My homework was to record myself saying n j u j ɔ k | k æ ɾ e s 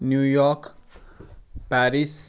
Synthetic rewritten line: n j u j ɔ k | p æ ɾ i s